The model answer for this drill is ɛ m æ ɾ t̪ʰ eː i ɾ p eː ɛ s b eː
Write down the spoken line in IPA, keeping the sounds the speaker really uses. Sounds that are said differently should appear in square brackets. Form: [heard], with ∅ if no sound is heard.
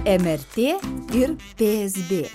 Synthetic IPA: ɛ m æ ɾ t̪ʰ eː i ɾ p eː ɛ s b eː